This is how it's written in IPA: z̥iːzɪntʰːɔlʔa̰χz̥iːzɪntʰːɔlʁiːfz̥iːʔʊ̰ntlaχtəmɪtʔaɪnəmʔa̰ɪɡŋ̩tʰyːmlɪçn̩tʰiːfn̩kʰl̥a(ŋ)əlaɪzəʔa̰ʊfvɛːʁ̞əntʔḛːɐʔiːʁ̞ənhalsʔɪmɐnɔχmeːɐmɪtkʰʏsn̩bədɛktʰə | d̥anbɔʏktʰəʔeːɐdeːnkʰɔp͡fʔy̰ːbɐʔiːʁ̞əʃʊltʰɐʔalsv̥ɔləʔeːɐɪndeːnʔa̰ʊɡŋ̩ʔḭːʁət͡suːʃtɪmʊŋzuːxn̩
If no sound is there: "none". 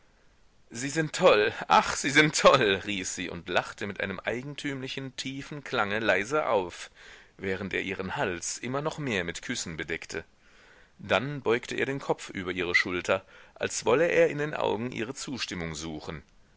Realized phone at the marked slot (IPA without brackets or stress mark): ŋ